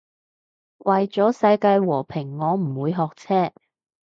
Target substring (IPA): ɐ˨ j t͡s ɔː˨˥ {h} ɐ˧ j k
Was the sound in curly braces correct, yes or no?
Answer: no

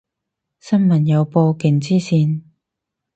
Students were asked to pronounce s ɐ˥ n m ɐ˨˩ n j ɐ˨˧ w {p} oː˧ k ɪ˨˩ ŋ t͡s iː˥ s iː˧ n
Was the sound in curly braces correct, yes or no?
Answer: yes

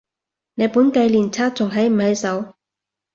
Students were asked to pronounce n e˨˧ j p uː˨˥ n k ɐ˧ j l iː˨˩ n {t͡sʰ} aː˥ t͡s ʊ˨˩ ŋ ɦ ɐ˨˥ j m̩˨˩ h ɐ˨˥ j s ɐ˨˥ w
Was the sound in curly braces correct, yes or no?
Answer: yes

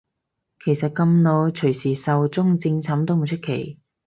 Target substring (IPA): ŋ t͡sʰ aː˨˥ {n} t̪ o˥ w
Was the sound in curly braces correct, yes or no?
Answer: no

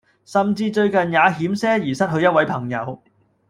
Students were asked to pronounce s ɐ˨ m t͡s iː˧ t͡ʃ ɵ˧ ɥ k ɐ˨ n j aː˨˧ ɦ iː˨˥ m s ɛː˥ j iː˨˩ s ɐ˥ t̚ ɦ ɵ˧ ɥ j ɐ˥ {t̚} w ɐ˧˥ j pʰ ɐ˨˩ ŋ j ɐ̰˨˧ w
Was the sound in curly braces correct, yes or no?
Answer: yes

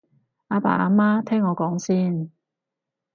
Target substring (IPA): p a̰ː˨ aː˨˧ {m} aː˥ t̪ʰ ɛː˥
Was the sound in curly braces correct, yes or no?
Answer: yes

